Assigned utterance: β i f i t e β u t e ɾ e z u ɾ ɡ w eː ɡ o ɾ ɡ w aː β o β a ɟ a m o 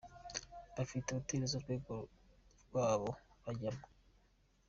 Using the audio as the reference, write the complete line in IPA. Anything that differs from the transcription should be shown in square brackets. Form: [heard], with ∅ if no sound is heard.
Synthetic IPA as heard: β [a] f i t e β u t e ɾ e z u ɾ ɡ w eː ɡ o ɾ ɡ w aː β o β a ɟ a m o